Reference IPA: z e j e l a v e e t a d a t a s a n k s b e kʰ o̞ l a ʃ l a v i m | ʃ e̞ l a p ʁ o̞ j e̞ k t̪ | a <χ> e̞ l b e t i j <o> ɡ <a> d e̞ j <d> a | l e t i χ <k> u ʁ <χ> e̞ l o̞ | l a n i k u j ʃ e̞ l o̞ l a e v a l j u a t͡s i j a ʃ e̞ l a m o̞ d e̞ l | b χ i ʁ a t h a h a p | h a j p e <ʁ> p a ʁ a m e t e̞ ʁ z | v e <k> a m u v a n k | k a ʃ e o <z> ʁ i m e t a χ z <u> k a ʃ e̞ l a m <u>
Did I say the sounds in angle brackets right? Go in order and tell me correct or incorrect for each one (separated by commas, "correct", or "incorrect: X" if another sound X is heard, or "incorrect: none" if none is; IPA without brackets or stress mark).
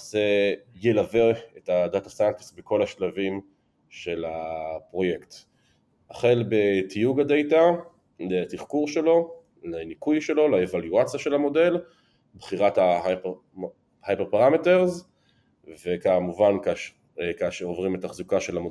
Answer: correct, incorrect: u, correct, incorrect: t, correct, incorrect: ʃ, correct, correct, incorrect: v, correct, incorrect: o